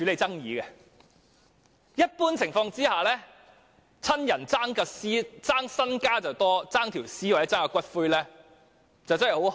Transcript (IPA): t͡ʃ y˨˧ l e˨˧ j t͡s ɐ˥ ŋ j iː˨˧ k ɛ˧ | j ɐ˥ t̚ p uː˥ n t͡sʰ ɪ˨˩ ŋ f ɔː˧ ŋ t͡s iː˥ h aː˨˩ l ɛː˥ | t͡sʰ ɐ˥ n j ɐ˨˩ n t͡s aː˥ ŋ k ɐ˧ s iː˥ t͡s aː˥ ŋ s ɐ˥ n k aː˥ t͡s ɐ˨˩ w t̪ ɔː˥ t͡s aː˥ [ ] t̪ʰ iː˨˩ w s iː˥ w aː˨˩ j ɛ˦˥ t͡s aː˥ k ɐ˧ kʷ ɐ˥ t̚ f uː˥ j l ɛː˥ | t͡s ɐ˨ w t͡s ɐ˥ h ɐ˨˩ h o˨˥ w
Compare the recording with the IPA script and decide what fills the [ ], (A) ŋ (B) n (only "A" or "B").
A